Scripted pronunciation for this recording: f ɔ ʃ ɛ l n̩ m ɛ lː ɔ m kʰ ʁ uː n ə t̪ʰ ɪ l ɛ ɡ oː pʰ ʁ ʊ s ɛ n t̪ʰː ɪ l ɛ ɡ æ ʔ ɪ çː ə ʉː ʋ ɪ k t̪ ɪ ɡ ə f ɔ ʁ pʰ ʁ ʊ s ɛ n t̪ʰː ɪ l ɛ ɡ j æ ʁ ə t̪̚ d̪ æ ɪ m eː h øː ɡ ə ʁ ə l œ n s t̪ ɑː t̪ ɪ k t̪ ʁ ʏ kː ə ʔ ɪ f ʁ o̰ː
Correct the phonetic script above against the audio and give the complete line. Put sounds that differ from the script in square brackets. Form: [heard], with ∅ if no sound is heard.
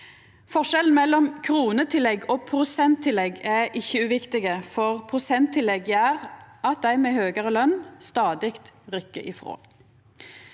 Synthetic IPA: f ɔ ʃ ɛ l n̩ m ɛ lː ɔ m kʰ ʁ uː n ə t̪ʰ ɪ l ɛ ɡ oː pʰ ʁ ʊ s ɛ n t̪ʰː ɪ l ɛ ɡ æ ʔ ɪ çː ə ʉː ʋ ɪ k t̪ ɪ ɡ ə f ɔ ʁ pʰ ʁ ʊ s ɛ n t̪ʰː ɪ l ɛ ɡ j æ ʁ [ɑ] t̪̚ d̪ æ ɪ m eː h øː ɡ ə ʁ ə l œ n s t̪ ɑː [d̪] ɪ k t̪ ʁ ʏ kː ə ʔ ɪ f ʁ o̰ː